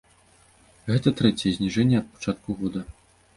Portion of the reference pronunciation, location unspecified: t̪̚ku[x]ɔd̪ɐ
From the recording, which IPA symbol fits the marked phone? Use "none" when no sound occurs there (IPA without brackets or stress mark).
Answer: ɣ